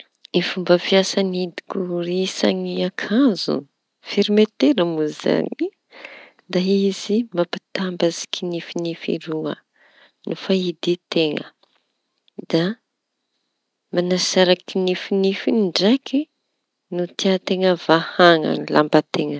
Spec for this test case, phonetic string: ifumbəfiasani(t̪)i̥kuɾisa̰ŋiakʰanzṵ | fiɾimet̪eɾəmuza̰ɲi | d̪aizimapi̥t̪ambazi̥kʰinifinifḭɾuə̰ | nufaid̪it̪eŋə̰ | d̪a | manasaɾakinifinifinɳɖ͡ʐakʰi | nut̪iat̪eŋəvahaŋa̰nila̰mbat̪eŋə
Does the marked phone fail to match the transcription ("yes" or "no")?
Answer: yes